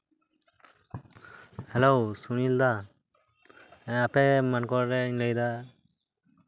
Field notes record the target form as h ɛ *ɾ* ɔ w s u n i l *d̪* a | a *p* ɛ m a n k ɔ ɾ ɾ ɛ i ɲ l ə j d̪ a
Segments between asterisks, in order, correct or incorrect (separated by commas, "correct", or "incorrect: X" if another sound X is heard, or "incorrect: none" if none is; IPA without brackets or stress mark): incorrect: l, correct, correct